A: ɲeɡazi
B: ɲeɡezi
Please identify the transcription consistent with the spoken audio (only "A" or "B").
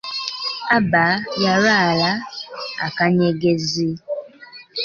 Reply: B